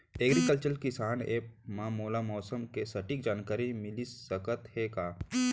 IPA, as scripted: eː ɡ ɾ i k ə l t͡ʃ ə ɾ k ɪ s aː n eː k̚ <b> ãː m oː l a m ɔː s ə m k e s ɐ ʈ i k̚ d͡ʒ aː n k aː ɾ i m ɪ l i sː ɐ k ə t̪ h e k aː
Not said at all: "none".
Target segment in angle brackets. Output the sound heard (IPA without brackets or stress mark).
m